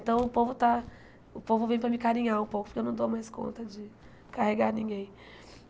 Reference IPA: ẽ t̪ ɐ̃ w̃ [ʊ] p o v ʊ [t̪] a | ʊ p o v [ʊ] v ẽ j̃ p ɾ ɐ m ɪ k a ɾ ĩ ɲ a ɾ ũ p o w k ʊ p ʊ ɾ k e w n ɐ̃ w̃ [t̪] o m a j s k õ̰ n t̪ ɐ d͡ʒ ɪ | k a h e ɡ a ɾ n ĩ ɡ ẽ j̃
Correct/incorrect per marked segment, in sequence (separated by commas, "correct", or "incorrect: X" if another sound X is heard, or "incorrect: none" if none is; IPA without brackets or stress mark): correct, correct, correct, incorrect: d̪